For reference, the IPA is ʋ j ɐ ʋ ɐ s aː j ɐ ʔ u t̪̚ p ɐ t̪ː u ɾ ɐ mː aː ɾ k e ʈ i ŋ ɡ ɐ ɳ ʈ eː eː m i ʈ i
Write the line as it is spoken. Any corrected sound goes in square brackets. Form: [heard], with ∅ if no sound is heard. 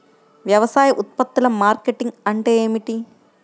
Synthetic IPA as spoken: ʋ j ɐ ʋ ɐ s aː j ɐ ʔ u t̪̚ p ɐ t̪ː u [l] ɐ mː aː ɾ k e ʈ i ŋ ɡ ɐ ɳ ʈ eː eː m i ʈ i